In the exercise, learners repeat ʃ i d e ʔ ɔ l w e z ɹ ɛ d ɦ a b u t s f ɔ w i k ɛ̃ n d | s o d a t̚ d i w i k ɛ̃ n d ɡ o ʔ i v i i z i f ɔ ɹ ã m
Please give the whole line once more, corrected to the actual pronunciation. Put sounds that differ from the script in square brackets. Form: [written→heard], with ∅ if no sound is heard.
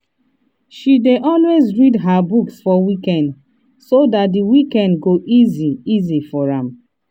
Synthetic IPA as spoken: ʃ i d e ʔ ɔ l w e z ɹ [ɛ→i] d ɦ a b u [t→k] s f ɔ w i k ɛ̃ n d | s o d a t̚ d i w i k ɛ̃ n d ɡ o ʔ i [v→z] i i z i f ɔ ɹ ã m